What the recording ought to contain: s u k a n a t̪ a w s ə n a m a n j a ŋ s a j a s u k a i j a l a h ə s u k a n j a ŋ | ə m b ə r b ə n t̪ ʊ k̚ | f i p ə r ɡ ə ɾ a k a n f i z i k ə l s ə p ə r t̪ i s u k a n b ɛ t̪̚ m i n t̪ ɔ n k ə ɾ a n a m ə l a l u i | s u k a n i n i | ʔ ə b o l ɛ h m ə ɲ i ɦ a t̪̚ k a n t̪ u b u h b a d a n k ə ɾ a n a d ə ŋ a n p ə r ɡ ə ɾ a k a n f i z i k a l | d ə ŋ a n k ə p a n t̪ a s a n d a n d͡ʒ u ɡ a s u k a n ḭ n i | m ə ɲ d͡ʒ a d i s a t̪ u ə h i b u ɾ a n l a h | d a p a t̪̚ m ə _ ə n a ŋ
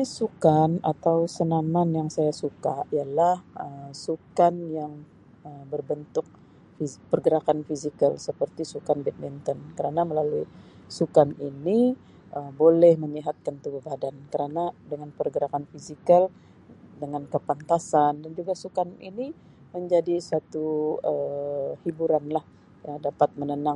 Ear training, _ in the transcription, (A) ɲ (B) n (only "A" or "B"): B